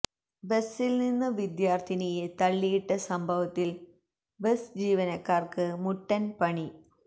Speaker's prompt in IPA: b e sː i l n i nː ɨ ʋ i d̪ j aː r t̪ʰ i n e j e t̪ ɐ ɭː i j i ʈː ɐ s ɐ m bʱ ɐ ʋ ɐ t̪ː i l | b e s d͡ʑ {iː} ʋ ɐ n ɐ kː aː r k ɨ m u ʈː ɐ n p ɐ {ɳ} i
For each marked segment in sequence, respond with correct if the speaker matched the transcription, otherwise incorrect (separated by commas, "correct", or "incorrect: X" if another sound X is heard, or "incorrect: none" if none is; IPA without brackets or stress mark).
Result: correct, correct